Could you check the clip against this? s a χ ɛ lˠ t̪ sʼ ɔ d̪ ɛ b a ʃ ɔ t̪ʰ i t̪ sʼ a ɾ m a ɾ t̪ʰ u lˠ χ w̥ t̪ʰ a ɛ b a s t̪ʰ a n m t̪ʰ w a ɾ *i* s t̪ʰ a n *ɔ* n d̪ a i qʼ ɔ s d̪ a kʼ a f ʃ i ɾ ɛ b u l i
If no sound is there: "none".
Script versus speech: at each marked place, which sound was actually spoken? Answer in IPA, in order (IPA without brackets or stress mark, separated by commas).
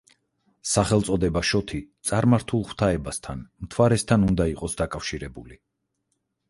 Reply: ɛ, u